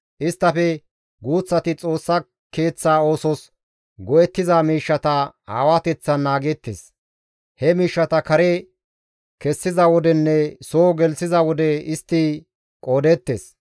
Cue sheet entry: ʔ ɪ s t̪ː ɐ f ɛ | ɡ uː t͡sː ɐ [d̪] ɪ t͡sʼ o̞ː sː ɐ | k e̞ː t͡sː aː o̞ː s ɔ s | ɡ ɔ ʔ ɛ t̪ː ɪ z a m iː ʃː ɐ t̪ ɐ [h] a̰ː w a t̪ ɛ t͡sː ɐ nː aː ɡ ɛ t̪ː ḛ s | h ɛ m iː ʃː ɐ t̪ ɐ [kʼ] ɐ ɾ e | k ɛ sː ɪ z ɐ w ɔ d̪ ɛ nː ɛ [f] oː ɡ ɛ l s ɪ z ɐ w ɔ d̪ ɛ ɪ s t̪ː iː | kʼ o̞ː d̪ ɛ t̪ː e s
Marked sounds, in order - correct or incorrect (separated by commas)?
incorrect, correct, incorrect, incorrect